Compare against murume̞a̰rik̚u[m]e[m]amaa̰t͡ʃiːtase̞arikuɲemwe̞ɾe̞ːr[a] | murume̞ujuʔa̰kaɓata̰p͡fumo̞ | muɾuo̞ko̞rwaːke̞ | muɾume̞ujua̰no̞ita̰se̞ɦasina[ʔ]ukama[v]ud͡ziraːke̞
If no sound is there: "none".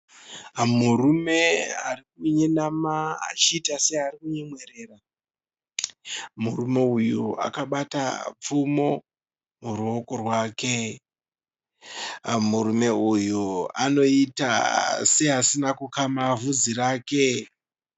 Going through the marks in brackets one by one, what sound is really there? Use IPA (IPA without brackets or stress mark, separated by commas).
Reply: ɲ, n, a, k, v